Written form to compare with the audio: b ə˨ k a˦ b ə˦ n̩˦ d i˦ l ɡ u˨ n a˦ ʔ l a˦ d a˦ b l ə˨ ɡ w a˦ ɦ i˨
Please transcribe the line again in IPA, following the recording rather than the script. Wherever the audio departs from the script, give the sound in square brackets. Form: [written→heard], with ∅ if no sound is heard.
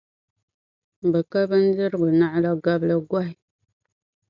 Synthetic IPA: b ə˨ k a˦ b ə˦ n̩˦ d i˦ [l→ɾ] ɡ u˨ n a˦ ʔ l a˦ [d→ɡ] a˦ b l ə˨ ɡ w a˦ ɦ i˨